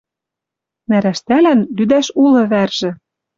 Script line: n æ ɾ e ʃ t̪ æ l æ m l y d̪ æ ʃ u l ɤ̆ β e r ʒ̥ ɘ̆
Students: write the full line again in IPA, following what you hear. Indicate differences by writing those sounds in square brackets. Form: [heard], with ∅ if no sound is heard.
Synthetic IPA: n æ ɾ [æ] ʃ t̪ æ l æ [n] l y d̪ æ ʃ u l ɤ̆ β [æ] r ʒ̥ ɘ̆